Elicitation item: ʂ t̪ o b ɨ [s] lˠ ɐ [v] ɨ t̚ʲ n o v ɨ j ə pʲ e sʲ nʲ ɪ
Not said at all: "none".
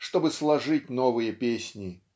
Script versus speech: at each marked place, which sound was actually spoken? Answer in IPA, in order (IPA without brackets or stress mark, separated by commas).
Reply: s, ʐ